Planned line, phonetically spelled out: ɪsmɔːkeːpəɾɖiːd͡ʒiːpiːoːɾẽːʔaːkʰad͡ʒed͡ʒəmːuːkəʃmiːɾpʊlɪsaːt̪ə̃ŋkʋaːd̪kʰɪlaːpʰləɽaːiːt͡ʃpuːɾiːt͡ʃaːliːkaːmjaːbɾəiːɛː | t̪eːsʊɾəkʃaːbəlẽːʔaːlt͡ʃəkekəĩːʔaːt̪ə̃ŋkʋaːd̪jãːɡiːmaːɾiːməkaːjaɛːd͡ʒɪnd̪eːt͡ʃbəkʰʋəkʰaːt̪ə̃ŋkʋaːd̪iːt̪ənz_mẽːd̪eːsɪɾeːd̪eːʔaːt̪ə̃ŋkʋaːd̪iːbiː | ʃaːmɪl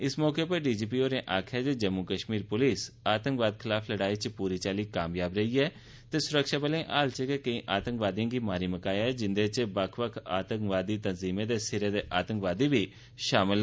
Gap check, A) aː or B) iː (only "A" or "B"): B